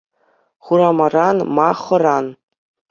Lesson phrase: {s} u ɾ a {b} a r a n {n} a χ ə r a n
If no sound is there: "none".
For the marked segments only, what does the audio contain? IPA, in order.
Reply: χ, m, m

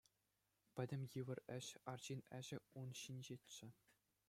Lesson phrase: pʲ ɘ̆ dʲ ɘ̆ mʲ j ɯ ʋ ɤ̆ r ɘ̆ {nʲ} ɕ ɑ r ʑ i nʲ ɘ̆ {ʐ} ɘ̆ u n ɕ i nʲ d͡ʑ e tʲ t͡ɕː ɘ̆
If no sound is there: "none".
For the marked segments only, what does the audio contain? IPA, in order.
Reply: none, ʑ

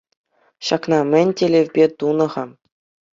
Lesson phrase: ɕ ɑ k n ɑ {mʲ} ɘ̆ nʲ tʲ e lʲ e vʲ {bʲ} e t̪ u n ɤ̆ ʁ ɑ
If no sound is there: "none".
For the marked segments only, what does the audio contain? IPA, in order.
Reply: mʲ, bʲ

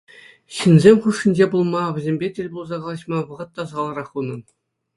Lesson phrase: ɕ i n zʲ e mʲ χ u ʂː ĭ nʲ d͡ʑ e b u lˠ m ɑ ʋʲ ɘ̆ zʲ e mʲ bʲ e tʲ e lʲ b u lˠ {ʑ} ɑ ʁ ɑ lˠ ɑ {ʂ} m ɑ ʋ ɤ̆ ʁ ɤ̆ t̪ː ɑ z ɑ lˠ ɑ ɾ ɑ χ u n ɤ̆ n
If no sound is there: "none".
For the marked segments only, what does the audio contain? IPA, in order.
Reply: z, ɕ

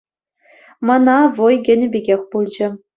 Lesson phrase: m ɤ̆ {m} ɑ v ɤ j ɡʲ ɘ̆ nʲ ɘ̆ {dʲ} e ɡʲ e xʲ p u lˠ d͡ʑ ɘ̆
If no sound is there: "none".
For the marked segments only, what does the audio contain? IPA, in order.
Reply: n, bʲ

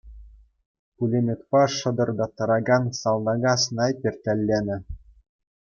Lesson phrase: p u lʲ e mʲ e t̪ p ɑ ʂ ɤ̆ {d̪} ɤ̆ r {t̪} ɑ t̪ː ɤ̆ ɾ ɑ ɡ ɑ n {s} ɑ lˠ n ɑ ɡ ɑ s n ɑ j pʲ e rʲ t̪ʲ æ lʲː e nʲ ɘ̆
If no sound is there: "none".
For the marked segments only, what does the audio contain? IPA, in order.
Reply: d̪, d̪, s

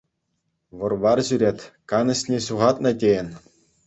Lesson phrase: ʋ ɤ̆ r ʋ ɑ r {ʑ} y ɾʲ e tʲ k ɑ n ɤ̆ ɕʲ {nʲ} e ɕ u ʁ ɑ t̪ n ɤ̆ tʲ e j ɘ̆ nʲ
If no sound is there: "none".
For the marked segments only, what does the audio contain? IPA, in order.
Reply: ʑ, nʲ

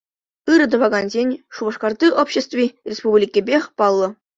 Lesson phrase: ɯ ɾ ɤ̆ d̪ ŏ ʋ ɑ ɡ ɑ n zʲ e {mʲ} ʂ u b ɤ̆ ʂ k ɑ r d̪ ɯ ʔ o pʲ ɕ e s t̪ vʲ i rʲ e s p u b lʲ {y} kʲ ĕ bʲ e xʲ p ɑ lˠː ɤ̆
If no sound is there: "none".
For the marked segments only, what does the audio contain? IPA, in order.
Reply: nʲ, i

